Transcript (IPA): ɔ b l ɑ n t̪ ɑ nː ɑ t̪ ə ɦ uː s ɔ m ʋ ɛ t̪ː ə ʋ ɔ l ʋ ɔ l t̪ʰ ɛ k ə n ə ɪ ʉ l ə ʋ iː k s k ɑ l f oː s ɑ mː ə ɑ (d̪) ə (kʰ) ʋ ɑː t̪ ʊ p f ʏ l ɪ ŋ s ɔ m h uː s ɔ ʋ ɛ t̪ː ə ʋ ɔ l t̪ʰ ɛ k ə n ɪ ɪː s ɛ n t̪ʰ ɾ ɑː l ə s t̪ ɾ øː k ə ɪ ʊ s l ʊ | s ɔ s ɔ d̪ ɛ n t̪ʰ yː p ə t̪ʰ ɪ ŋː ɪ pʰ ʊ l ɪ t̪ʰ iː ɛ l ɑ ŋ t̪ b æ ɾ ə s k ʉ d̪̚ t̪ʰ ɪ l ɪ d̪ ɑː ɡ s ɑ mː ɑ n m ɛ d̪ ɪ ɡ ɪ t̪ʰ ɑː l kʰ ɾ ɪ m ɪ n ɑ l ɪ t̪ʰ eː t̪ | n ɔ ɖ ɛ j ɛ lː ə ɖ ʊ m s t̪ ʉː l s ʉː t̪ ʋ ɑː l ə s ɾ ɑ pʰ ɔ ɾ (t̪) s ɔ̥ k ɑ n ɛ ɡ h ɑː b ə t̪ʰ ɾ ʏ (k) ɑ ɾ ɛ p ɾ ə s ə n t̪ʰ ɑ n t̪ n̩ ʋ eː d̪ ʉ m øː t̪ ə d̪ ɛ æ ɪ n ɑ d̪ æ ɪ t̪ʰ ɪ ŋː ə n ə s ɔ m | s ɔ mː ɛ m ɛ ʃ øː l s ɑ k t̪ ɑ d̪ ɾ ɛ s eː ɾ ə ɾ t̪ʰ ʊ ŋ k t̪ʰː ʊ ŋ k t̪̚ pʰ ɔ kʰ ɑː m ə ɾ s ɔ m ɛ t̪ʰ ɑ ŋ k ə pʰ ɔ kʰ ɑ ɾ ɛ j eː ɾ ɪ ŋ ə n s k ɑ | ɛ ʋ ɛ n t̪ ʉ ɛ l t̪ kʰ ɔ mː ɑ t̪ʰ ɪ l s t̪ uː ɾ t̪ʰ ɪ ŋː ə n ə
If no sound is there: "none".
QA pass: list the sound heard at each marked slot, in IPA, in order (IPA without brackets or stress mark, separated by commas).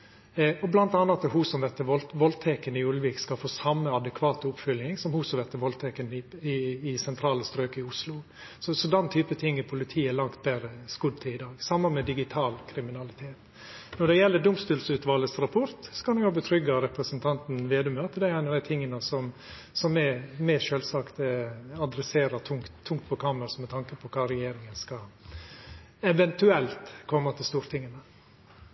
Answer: d̪, kʰ, t̪, ɡ